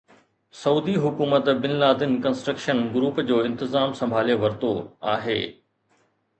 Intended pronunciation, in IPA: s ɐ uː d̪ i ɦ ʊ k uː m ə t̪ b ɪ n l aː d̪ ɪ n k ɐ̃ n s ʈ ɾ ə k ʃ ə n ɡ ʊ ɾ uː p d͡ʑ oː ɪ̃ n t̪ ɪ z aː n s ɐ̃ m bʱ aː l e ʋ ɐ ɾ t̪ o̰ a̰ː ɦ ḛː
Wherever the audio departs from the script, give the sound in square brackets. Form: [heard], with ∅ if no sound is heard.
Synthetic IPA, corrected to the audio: s ɐ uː d̪ i ɦ ʊ k uː m ə t̪ b ɪ n l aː d̪ ɪ n k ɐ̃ n s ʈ ɾ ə k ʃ ə n ɡ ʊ ɾ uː p d͡ʑ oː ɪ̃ n t̪ ɪ z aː [m] s ɐ̃ m bʱ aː l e ʋ ɐ ɾ t̪ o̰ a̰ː ɦ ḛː